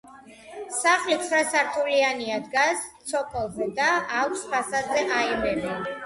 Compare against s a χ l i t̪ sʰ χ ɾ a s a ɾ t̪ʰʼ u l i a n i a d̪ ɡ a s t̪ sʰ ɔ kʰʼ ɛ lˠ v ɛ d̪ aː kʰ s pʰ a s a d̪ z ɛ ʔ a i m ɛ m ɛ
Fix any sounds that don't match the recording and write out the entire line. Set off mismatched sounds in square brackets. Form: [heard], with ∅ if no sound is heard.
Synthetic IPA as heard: s a χ l i t̪ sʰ χ ɾ a s a ɾ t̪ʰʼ u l i a n i a d̪ ɡ a s t̪ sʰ ɔ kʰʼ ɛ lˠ [z] ɛ d̪ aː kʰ s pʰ a s a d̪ z ɛ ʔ a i m ɛ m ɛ